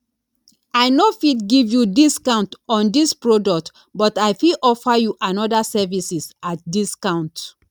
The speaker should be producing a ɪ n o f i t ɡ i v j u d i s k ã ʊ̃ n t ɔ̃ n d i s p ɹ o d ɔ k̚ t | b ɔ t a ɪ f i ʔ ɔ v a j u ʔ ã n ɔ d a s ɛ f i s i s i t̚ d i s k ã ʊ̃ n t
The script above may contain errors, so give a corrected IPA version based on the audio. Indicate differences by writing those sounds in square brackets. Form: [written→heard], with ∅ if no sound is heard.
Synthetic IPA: a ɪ n o f i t ɡ i v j u d i s k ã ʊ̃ n t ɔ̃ n d i s p ɹ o d ɔ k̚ t | b ɔ t a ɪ f i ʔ ɔ [v→f] a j u ʔ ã n ɔ d a s ɛ [f→v] i s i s [i→a] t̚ d i s k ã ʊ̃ n t